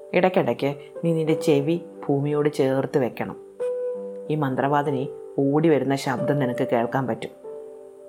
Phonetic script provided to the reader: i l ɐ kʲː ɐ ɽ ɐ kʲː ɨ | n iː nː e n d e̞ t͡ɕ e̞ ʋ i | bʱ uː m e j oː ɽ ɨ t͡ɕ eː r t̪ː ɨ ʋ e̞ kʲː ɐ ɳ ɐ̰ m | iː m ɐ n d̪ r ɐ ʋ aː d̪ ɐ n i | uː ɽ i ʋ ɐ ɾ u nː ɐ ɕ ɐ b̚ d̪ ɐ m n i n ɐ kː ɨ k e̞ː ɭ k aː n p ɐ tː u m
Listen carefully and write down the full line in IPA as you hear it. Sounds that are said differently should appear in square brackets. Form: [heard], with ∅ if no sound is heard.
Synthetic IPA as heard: i [ɽ] ɐ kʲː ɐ ɽ ɐ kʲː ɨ | n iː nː [i] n d e̞ t͡ɕ e̞ ʋ i | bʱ uː m [i] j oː ɽ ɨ t͡ɕ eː r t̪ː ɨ ʋ e̞ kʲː ɐ ɳ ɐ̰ m | iː m ɐ n d̪ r ɐ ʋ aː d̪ ɐ n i | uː ɽ i ʋ ɐ ɾ u nː ɐ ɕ ɐ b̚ d̪ ɐ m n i n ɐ kː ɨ k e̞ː ɭ k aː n p ɐ tː u m